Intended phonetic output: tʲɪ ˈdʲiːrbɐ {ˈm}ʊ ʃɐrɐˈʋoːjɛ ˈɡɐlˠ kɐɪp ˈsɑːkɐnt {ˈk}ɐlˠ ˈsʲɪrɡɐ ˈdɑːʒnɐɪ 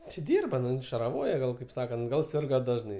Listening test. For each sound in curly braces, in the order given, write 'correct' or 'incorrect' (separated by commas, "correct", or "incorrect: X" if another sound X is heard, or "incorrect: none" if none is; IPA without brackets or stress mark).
incorrect: n, incorrect: ɡ